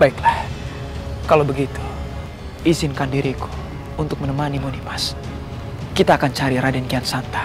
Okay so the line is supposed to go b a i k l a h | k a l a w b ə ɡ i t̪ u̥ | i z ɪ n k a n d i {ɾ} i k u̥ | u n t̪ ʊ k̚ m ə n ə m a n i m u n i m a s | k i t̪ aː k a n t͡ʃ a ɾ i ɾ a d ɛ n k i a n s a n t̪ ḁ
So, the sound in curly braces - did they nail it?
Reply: yes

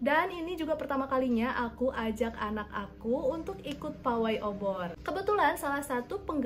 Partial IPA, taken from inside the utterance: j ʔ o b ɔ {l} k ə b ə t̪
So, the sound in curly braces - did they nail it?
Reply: no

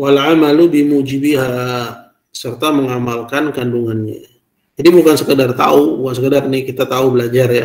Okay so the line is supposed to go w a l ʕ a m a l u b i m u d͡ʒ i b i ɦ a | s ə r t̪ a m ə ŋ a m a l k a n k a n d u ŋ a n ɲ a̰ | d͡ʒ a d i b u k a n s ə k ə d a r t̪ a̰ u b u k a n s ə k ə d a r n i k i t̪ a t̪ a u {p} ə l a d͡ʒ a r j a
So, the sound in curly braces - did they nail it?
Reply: no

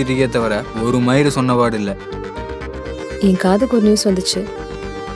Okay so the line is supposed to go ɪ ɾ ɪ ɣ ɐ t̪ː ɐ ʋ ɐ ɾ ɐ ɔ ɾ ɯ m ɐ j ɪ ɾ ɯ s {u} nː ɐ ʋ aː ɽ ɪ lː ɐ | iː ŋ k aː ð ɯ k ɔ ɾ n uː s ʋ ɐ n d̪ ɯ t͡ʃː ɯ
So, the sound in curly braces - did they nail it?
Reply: no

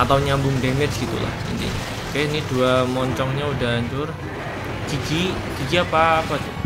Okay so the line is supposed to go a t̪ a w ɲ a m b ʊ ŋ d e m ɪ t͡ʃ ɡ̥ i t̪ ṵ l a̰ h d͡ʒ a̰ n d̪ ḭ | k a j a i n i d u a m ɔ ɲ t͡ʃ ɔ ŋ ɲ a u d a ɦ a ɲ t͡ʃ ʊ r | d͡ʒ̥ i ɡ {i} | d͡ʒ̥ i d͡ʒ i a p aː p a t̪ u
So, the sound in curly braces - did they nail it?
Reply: yes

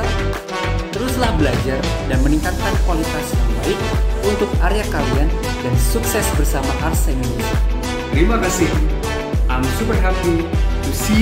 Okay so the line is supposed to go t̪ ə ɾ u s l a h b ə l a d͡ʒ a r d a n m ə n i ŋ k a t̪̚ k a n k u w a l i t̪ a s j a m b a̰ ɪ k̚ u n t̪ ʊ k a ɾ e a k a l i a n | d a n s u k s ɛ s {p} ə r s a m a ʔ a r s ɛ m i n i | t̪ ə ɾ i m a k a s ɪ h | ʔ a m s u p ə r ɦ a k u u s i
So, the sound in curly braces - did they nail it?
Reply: no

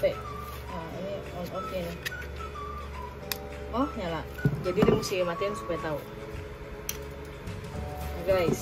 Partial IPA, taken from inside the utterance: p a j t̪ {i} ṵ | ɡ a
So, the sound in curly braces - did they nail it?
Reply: no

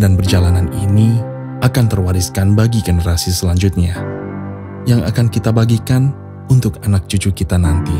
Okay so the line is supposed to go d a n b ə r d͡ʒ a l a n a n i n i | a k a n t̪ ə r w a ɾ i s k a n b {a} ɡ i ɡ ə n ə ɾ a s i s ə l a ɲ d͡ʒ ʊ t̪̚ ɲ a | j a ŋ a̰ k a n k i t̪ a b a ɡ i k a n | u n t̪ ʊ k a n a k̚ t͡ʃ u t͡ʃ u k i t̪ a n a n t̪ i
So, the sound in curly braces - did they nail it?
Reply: yes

